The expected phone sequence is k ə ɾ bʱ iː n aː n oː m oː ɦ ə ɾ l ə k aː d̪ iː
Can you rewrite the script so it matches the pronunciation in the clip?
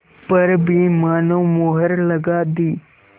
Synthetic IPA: p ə ɾ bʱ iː m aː n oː m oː ɦ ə ɾ l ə ɡ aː d̪ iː